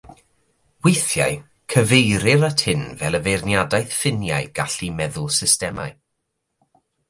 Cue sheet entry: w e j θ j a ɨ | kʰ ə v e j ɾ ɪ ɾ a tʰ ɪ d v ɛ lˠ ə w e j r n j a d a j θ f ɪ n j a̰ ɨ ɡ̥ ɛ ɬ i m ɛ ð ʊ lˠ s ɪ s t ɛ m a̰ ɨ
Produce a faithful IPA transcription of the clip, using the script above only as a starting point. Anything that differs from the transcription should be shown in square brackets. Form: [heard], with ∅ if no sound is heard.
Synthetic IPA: w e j θ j a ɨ | kʰ ə v e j ɾ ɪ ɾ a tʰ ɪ [n] v ɛ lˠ ə [v] e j r n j a d a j θ f ɪ n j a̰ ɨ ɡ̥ [a] ɬ i m ɛ ð ʊ lˠ s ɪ s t ɛ m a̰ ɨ